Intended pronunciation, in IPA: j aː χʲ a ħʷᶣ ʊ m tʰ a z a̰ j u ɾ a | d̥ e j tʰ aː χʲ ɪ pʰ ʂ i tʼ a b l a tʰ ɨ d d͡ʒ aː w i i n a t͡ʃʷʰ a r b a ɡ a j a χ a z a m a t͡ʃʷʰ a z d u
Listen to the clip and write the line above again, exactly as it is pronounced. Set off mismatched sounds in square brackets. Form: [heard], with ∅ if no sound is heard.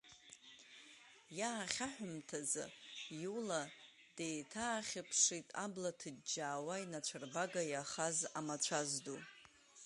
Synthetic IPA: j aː χʲ a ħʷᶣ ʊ m tʰ a z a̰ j u [l] a | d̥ e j tʰ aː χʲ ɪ pʰ ʂ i tʼ a b l a tʰ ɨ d d͡ʒ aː w [a] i n a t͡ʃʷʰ a r b a ɡ a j a χ a z a m a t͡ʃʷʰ a z d u